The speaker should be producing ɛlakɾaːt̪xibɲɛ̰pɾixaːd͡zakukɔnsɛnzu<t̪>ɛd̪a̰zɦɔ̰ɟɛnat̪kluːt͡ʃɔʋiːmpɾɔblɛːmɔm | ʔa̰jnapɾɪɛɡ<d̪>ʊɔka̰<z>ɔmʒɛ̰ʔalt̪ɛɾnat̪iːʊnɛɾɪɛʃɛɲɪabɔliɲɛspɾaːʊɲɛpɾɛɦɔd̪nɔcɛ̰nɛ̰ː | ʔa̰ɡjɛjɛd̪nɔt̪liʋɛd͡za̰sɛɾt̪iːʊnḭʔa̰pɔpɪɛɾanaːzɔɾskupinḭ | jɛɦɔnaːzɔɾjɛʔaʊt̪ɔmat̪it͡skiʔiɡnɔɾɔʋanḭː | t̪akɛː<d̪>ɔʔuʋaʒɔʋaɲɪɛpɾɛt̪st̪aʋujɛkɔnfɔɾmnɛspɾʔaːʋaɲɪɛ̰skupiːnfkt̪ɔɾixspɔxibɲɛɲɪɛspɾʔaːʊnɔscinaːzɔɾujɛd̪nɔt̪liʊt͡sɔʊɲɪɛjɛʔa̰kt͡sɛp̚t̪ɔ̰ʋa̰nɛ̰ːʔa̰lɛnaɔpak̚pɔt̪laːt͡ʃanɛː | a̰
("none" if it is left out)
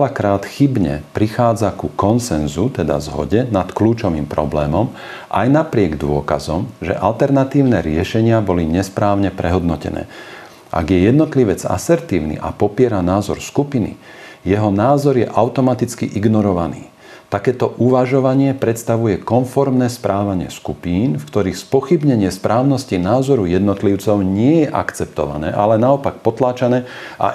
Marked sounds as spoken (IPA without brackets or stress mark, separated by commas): t̪, d̪, z, t̪